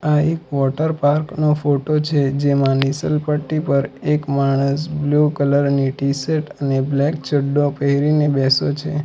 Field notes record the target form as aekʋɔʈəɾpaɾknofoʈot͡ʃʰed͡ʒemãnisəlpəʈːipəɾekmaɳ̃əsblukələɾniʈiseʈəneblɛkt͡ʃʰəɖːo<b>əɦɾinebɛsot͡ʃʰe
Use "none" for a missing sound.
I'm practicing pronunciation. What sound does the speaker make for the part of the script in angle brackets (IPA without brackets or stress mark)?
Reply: p